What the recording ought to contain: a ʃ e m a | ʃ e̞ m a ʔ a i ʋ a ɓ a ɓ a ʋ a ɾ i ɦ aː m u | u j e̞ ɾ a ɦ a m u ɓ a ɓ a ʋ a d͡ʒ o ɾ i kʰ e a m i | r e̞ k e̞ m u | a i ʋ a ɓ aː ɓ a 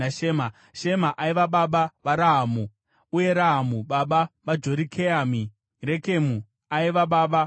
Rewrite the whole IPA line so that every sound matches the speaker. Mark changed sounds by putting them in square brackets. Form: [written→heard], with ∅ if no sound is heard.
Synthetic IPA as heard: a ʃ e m a | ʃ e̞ m a ʔ a i ʋ a ɓ a ɓ a ʋ a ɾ [i→a] ɦ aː m u | u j e̞ ɾ a ɦ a m u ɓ a ɓ a ʋ a d͡ʒ o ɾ i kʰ e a m i | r e̞ k e̞ m u | a i ʋ a ɓ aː ɓ a

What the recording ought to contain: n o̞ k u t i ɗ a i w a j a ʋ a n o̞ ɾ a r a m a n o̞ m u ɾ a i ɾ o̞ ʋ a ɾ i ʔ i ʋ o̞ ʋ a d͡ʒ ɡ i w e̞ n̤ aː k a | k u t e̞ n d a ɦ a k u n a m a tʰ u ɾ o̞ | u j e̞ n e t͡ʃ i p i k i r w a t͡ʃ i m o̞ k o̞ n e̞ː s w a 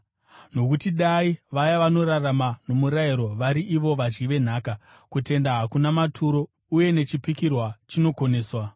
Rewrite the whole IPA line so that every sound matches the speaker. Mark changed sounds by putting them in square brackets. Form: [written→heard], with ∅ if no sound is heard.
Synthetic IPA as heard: n o̞ k u t i ɗ a i [w→ʋ] a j a ʋ a n o̞ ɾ a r a m a n o̞ m u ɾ a i ɾ o̞ ʋ a ɾ i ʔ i ʋ o̞ ʋ a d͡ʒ ɡ i [w→ʋ] e̞ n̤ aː k a | k u t e̞ n d a ɦ a k u n a m a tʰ u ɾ o̞ | u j e̞ n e t͡ʃ i p i k i r w a t͡ʃ i [m→n] o̞ k o̞ n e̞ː s w a

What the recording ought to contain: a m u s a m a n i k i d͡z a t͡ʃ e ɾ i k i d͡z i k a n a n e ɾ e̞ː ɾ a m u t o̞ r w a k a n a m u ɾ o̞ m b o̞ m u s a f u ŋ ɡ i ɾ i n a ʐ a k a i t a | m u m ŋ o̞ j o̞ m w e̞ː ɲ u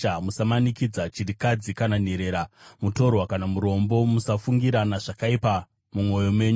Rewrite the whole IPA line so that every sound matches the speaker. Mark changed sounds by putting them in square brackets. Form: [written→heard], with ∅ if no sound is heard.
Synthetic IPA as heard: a m u s a m a n i k i d͡z a t͡ʃ [e→i] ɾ i k [i→a] d͡z i k a n a n e ɾ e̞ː ɾ a m u t o̞ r w a k a n a m u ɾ o̞ m b o̞ m u s a f u ŋ ɡ i ɾ [i→a] n a ʐ a k a i [t→p] a | m u m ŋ o̞ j o̞ m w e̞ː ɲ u

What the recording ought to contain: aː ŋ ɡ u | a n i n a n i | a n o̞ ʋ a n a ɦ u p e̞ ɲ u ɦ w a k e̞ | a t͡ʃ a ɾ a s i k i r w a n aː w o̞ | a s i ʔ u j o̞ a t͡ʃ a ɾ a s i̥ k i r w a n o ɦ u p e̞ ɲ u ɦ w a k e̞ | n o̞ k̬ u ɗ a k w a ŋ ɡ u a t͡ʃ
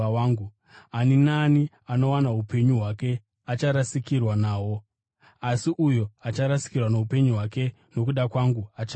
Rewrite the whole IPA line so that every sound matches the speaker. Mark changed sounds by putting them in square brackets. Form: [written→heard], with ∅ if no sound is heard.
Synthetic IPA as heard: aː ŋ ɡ u | a n i n a n i | a n o̞ [ʋ→w] a n a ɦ u p e̞ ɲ u ɦ w a k e̞ | a t͡ʃ a ɾ a s i k i r w a n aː w o̞ | a s i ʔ u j o̞ a t͡ʃ a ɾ a s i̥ k i r w a n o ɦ u p e̞ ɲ u ɦ w a k e̞ | n o̞ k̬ u ɗ a k w a ŋ ɡ u a t͡ʃ

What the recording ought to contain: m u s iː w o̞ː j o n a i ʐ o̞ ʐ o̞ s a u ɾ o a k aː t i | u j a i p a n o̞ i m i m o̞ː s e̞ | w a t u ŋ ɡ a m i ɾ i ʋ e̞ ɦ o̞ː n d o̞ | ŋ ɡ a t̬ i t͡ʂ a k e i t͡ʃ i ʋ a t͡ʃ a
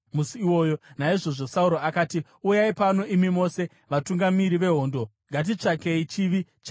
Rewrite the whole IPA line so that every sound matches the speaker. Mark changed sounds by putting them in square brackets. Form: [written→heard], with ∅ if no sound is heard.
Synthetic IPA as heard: m u s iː w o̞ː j o n a i ʐ o̞ ʐ o̞ s a u ɾ o a k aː t i | u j a i p a n o̞ i m i m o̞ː s e̞ | [w→ʋ] a t u ŋ ɡ a m i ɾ i ʋ e̞ ɦ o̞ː n d o̞ | ŋ ɡ a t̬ i t͡ʂ a k e i t͡ʃ i ʋ [a→i] t͡ʃ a

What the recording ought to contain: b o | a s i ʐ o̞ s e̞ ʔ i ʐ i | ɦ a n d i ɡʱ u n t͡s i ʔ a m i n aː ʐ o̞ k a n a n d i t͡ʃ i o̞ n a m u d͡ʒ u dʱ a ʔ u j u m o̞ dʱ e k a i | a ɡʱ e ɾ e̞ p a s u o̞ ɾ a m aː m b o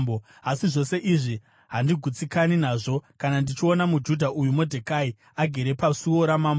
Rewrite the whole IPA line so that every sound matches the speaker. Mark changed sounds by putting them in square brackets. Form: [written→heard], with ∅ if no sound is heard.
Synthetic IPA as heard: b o | a s i ʐ o̞ s e̞ ʔ i ʐ i | ɦ a n d i ɡʱ u [n→∅] t͡s i [ʔ→k] a [m→n] i n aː ʐ o̞ k a n a n d i t͡ʃ i o̞ n a m u d͡ʒ u dʱ a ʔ u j u m o̞ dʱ e k a i | a ɡʱ e ɾ e̞ p a s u o̞ ɾ a m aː m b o

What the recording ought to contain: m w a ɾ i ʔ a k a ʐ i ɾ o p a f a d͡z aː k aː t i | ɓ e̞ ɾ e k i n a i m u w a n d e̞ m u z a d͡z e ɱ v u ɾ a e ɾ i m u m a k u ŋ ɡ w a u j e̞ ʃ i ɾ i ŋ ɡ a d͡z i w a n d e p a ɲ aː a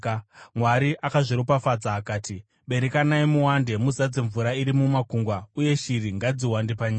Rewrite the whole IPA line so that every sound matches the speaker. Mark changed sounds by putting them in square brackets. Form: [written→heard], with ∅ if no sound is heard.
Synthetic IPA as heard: m w a ɾ i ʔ a k a ʐ i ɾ o p a f a d͡z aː k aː t i | ɓ e̞ ɾ e k [i→a] n a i m u w a n d e̞ m u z a d͡z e ɱ v u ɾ a [e→i] ɾ i m u m a k u ŋ ɡ w a u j e̞ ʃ i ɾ i ŋ ɡ a d͡z i w a n d e p a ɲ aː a

